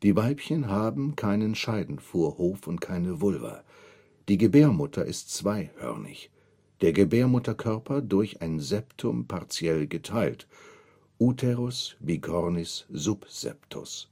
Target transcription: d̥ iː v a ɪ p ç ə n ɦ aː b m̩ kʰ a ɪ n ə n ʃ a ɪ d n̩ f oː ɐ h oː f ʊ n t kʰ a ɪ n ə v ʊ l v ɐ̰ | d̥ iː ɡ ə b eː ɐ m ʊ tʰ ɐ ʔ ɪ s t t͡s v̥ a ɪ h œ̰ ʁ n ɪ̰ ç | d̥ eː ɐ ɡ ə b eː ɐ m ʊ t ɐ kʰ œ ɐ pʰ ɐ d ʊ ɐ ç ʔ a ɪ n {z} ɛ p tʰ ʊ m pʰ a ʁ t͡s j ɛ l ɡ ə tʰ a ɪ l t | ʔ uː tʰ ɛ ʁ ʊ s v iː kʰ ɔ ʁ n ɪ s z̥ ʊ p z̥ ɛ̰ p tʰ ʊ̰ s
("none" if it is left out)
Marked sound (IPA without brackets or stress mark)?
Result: z